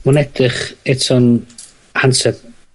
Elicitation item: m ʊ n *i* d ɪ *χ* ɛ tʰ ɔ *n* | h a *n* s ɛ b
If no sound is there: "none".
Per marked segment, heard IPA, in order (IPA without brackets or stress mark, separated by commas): ɛ, χ, n, n